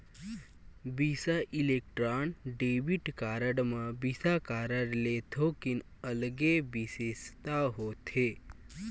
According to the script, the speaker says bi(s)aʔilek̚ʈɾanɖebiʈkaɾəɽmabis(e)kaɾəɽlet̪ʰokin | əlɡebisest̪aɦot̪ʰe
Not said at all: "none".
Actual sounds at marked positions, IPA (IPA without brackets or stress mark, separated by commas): s, a